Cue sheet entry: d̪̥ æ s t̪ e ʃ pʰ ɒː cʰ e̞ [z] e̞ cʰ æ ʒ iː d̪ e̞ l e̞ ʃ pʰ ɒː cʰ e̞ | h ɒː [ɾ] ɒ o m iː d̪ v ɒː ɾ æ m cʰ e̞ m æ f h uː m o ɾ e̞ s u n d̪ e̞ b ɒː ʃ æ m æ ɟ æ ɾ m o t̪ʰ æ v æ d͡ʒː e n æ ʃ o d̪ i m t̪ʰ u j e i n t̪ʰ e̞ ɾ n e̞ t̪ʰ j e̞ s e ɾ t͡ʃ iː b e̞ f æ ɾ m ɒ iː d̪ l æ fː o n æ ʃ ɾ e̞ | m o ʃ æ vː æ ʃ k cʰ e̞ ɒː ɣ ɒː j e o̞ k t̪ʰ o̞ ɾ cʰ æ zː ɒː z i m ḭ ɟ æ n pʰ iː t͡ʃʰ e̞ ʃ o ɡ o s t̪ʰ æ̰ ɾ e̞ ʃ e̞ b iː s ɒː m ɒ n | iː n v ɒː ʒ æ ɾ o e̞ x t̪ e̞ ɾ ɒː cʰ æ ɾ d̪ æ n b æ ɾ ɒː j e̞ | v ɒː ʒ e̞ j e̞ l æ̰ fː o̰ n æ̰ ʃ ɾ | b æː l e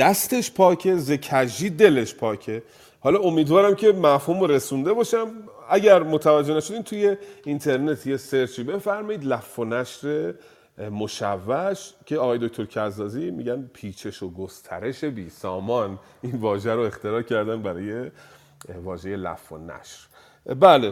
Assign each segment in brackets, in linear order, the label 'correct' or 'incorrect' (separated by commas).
correct, incorrect